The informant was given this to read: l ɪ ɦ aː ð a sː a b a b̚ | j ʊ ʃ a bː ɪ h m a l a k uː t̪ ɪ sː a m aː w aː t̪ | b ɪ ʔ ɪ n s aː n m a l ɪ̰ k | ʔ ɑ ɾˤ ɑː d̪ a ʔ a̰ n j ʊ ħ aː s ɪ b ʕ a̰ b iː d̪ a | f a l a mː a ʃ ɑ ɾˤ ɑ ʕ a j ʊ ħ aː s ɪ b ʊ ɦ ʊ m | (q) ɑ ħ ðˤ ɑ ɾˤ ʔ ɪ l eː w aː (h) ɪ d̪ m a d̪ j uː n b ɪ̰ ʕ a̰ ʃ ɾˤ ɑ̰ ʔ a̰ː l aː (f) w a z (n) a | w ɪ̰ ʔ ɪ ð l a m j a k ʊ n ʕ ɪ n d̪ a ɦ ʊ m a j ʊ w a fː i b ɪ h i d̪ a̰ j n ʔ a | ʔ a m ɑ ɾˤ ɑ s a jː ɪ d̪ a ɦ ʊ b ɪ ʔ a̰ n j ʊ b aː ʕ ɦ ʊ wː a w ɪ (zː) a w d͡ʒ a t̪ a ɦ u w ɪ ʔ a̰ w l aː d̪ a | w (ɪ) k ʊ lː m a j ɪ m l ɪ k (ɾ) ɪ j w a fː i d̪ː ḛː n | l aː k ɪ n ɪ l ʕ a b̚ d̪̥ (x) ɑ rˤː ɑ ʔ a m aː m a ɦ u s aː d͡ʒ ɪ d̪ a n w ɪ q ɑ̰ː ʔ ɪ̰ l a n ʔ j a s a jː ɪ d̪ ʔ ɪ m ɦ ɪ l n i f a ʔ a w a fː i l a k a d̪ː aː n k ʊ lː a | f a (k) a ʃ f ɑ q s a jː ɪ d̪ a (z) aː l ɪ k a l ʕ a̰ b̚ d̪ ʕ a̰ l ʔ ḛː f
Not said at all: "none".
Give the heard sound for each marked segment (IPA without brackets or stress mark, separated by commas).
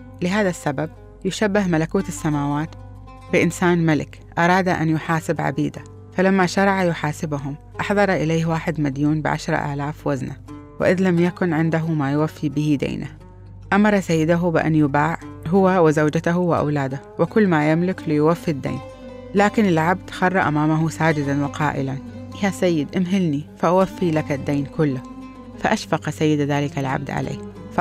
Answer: ʔ, ħ, f, n, z, ɪ, l, x, ʔ, ð